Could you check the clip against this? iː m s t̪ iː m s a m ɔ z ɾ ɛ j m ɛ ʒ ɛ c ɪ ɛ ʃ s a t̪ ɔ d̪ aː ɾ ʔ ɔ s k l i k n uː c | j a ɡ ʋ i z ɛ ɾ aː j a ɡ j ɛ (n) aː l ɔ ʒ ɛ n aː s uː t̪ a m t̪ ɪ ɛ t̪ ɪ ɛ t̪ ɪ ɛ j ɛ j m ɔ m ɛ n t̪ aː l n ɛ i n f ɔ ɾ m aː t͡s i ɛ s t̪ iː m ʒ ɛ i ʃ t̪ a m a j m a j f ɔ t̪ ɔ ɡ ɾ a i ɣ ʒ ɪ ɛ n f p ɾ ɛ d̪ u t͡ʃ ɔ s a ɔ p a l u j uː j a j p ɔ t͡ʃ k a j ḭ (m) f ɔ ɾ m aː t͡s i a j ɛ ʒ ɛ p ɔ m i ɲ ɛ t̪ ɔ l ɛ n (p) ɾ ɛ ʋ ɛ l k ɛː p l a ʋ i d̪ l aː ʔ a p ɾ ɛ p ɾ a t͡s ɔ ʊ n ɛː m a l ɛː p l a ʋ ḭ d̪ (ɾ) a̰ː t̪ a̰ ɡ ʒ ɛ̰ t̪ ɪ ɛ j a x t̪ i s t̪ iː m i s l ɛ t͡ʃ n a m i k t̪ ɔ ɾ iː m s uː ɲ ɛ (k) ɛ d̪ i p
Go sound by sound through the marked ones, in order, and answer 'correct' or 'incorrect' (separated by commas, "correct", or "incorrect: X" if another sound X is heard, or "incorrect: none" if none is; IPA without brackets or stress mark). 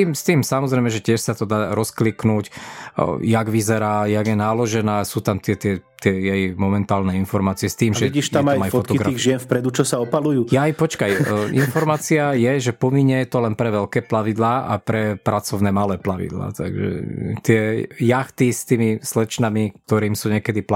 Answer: correct, incorrect: n, correct, incorrect: l, correct